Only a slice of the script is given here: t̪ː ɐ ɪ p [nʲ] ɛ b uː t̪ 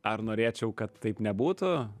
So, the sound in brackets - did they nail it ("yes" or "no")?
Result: yes